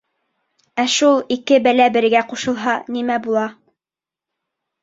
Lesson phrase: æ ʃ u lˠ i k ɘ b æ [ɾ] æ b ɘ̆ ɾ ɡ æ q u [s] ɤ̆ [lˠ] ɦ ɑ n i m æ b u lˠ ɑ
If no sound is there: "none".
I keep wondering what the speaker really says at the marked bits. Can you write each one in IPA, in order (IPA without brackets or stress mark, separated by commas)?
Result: l, ʃ, lˠ